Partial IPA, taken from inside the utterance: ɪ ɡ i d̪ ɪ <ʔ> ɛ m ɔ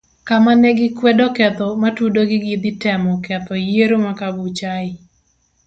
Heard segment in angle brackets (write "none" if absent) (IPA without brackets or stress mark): t